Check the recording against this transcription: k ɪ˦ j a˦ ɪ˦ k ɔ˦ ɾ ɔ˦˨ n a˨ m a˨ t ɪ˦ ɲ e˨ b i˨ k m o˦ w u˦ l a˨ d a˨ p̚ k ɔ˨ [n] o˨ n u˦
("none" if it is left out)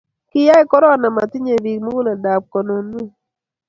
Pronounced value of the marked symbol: n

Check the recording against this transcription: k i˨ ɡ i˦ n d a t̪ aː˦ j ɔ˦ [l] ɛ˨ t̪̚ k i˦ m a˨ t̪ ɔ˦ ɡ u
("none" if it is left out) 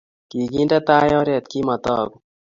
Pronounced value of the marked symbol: ɾ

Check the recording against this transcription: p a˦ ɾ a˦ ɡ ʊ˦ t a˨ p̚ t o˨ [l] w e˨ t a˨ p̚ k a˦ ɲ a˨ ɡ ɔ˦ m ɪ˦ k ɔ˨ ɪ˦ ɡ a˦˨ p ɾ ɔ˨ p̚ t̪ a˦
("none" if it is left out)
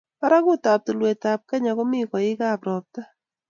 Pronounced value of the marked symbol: l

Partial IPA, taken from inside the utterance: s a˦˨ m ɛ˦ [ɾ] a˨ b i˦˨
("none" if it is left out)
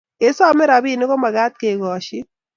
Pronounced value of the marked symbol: ɾ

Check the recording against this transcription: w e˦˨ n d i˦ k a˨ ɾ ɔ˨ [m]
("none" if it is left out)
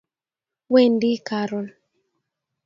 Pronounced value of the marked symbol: n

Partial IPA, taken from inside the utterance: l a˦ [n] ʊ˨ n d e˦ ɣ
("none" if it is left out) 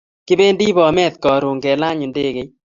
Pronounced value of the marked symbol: ɲ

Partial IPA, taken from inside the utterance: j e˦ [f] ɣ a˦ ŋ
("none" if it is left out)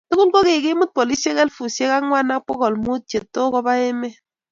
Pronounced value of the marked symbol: none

